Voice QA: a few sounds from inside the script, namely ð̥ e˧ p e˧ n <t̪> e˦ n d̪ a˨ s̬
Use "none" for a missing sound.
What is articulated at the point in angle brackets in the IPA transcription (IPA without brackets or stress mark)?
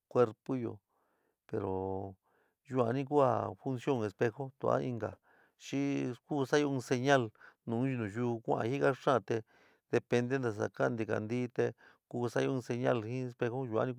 d̪